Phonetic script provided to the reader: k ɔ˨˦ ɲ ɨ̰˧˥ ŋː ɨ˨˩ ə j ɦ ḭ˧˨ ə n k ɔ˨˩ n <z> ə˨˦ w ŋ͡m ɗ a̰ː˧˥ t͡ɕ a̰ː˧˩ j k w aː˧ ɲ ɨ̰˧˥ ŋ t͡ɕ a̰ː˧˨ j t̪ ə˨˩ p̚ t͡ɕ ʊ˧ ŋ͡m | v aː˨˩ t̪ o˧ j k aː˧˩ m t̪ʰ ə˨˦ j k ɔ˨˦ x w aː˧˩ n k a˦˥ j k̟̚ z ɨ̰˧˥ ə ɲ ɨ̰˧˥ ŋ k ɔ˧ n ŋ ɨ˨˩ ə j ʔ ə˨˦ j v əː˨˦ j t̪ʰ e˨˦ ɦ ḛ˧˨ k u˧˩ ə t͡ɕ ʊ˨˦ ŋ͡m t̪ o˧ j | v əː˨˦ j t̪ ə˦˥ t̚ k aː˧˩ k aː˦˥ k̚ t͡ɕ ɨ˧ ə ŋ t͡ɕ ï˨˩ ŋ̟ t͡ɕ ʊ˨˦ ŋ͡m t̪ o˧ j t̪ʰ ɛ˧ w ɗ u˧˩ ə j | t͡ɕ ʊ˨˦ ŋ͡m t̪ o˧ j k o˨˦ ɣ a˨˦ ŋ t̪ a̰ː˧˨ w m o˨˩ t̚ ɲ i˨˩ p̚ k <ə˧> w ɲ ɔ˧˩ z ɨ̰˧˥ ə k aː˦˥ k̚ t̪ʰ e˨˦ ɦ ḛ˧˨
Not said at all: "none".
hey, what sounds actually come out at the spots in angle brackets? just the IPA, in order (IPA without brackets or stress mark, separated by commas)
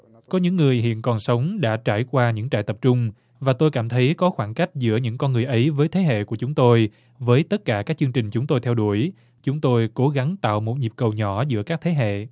s, ə˨˩